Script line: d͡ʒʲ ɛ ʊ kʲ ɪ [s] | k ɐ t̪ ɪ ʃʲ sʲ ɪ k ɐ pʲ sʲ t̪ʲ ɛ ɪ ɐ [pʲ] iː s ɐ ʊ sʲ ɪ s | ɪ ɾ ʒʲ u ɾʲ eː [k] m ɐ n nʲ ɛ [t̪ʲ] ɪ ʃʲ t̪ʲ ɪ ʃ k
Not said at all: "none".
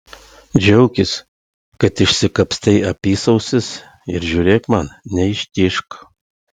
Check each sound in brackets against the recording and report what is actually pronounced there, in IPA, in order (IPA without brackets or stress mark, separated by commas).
s, pʲ, k, none